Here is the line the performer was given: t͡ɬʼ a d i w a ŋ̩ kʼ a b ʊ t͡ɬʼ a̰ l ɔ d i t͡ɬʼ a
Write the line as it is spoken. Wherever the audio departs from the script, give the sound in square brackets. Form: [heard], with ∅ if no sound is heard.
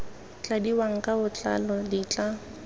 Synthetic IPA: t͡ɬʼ a d i w a ŋ̩ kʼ a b ʊ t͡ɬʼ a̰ l ɔ d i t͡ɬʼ a